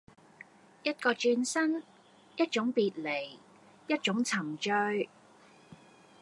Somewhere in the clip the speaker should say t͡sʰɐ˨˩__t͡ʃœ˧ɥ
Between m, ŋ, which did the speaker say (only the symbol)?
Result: ŋ